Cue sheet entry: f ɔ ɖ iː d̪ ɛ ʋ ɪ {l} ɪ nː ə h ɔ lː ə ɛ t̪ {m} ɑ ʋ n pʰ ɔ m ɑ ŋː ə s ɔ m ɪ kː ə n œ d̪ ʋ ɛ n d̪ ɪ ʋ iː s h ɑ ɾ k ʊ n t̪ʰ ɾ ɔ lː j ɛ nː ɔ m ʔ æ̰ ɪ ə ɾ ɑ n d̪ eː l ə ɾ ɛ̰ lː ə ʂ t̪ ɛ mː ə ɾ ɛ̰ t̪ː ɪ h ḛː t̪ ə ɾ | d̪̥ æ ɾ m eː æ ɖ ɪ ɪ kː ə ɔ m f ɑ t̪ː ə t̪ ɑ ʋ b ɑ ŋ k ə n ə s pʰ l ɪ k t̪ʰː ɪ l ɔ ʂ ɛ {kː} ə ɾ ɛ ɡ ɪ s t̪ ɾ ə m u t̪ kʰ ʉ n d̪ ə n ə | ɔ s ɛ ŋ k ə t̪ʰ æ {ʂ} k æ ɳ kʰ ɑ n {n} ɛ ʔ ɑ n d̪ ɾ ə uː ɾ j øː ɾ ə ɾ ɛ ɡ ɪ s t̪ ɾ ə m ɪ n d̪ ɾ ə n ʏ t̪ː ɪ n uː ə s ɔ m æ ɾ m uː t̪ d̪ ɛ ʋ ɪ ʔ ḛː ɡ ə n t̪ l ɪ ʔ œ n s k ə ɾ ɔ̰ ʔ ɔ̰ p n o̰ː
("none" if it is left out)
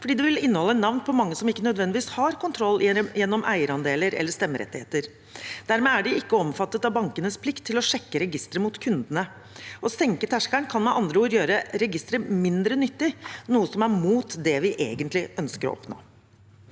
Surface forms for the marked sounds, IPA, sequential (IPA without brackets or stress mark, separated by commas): l, n, kː, ʂ, m